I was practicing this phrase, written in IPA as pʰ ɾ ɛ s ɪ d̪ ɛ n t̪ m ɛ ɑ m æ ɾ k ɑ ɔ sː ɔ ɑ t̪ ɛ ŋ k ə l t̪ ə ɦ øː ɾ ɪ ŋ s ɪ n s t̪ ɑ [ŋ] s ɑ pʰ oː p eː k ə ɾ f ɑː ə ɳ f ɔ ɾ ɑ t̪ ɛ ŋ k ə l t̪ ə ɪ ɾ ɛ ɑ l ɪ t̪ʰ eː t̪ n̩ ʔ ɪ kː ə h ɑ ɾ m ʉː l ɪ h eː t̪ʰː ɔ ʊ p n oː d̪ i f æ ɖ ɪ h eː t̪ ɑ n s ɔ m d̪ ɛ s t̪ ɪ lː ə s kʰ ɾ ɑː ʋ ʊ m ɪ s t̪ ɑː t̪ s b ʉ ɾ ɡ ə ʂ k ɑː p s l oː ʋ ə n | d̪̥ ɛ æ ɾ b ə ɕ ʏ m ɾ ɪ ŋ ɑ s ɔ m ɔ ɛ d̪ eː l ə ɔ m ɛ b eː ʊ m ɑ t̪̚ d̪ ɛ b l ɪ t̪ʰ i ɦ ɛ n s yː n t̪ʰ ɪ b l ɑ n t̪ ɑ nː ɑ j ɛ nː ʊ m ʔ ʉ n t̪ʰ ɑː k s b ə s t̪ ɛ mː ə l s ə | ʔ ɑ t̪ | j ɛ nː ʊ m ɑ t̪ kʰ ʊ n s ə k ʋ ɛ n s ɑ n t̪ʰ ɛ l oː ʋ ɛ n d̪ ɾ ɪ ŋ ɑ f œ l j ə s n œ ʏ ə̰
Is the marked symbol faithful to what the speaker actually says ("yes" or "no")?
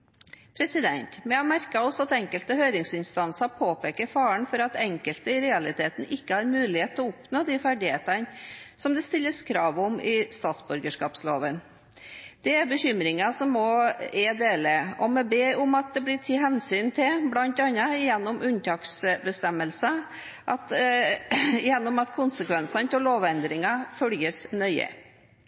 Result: no